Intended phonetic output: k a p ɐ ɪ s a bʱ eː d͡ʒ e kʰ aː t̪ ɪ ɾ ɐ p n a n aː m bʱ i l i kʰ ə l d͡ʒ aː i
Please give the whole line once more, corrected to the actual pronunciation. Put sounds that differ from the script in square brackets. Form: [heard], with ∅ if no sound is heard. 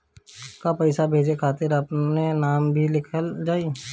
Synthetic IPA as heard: k a p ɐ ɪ s a bʱ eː d͡ʒ e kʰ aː t̪ ɪ ɾ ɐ p n [e] n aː m bʱ i l [ɪ] kʰ ə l d͡ʒ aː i